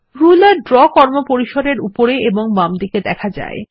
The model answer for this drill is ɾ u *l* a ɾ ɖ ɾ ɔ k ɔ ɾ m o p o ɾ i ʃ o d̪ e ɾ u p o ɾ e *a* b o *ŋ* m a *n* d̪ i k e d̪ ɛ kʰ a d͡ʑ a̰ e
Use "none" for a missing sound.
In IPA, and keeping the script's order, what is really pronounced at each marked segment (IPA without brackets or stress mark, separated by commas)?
l, e, ŋ, m